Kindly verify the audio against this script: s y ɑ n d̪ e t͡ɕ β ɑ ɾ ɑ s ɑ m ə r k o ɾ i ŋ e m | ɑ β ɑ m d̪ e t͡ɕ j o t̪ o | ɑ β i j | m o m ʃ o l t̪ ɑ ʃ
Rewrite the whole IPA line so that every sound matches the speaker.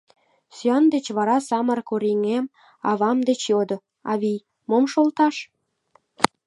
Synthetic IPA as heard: s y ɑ n d̪ e t͡ɕ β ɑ ɾ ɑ s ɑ m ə r k o ɾ i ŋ e m | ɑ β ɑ m d̪ e t͡ɕ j o d̪ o | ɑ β i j | m o m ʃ o l t̪ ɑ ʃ

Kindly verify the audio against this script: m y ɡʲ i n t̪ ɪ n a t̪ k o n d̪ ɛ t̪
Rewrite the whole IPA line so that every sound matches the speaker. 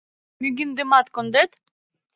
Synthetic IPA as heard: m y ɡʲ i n d̪ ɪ m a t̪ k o n d̪ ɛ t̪

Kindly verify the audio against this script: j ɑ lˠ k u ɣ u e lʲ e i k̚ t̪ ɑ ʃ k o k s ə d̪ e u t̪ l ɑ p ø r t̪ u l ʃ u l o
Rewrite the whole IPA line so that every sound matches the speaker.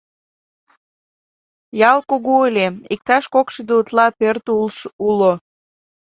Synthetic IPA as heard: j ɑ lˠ k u ɣ u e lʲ e i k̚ t̪ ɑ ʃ k o k ʃ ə d̪ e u t̪ l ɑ p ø r t̪ u l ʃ u l o

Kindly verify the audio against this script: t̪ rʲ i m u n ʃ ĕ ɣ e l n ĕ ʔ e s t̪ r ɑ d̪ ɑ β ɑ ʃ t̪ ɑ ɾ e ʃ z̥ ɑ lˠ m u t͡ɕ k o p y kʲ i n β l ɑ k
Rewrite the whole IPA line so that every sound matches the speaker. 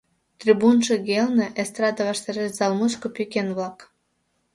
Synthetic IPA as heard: t̪ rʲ i b u n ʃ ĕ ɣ e l n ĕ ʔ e s t̪ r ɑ d̪ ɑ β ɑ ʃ t̪ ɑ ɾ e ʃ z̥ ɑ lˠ m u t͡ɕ k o p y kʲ e n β l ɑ k

